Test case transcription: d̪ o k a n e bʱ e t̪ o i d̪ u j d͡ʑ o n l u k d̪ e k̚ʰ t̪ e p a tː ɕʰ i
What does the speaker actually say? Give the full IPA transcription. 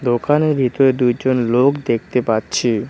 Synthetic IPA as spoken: d̪ o k a n e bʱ i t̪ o e d̪ u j d͡ʑ o n l o k d̪ e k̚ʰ t̪ e p a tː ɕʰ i